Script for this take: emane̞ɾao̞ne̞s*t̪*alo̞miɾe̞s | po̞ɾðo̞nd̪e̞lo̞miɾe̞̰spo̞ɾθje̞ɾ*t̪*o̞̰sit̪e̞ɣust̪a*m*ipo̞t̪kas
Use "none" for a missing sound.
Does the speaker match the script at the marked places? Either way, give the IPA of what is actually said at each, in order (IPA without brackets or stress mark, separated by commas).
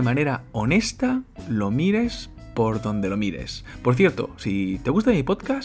t̪, t̪, m